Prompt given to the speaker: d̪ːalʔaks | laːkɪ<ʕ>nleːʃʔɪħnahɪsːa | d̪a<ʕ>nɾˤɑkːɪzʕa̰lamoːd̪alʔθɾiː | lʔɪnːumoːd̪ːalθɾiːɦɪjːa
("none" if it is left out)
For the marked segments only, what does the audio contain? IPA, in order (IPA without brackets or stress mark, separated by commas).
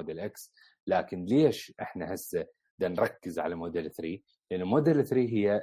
none, none